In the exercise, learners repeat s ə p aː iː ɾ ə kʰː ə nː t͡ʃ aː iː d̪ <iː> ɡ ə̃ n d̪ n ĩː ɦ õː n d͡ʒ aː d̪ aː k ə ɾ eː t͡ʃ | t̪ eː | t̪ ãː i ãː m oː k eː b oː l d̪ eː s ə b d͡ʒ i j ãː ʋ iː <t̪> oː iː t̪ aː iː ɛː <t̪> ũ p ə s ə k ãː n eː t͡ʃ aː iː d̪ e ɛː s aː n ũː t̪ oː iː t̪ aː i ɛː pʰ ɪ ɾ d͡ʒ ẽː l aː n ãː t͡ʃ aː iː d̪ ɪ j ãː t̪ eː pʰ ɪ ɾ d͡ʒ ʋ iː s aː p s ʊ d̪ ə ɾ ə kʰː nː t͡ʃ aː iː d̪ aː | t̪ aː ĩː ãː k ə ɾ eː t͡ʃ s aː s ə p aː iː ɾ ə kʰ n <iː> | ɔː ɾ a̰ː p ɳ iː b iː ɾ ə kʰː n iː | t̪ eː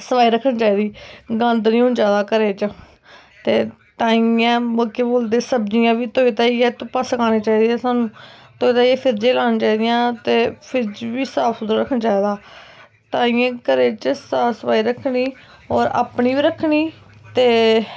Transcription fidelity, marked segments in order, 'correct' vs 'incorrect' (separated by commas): correct, correct, correct, correct